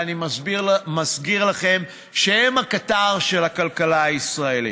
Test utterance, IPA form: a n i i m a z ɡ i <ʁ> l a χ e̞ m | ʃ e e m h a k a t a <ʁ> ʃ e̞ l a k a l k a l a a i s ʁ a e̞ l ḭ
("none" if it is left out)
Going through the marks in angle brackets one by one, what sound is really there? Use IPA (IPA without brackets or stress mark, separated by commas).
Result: ʁ, ʁ